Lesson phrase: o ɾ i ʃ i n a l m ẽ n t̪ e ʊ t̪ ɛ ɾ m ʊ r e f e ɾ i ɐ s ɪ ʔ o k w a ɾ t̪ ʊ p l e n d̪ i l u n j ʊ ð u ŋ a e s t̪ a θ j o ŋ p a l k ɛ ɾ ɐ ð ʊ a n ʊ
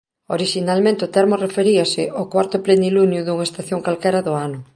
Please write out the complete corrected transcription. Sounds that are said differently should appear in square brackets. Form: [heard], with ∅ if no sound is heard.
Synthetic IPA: o ɾ i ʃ i n a l m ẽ n t̪ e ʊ t̪ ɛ ɾ m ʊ r e f e ɾ i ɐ s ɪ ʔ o k w a ɾ t̪ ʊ p l e n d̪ i l u n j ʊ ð u ŋ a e s t̪ a θ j o ŋ [k] a l k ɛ ɾ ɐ ð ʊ a n ʊ